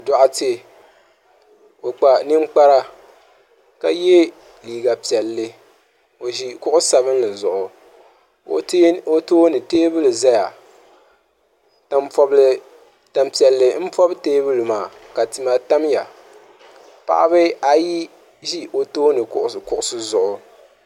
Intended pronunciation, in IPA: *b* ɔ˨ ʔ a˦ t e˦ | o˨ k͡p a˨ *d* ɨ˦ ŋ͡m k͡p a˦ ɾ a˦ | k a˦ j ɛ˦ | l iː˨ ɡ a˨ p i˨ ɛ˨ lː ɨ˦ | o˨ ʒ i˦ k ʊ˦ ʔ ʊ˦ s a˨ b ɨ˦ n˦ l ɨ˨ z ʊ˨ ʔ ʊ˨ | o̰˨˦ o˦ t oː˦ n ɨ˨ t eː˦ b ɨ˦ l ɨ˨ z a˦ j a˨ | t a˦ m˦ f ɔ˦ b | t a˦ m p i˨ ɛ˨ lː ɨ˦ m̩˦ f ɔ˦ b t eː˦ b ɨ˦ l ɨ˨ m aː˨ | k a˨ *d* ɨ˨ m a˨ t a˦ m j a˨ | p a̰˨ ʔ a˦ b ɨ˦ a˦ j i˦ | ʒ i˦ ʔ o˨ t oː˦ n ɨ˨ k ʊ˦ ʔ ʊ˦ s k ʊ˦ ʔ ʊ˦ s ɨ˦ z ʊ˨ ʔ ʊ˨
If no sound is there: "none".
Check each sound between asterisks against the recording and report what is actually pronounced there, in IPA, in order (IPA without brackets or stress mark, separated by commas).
d, n, t